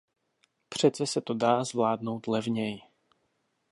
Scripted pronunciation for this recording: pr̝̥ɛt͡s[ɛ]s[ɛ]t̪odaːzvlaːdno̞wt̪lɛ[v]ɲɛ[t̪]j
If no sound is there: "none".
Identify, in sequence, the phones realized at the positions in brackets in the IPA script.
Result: ɛ, ɛ, v, none

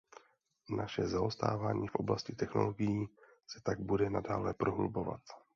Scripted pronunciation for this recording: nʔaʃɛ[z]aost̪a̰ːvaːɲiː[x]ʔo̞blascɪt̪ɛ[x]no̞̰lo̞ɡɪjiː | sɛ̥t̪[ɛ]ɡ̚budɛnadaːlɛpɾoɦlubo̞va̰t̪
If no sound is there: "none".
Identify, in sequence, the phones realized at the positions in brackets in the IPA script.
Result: z, f, x, a

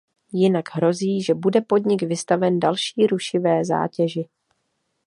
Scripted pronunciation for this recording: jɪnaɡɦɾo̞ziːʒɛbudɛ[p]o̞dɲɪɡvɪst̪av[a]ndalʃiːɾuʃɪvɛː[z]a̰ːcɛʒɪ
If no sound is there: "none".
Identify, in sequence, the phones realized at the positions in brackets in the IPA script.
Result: p, ɛ, z

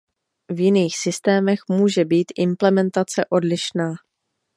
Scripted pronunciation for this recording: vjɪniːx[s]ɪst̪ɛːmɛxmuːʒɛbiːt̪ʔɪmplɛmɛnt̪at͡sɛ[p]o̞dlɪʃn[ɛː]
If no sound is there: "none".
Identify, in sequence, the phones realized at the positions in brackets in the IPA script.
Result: s, ʔ, aː

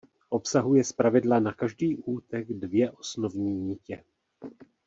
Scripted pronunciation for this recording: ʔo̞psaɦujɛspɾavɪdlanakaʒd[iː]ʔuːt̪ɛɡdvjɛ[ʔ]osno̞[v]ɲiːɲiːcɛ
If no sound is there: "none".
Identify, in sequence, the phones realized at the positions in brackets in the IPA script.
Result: iː, ʔ, v

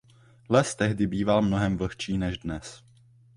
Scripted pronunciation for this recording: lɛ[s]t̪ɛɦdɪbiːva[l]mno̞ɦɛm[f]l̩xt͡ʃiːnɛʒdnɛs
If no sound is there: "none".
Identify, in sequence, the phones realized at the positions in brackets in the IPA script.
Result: s, l, v

